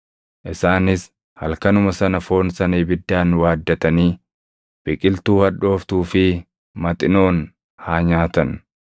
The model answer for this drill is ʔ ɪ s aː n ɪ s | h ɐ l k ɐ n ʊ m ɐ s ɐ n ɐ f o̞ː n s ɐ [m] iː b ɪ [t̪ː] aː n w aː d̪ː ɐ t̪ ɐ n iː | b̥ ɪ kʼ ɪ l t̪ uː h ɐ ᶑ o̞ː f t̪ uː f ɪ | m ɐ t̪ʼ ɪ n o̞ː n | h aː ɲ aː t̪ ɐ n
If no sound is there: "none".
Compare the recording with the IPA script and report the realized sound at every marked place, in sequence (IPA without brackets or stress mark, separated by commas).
n, d̪ː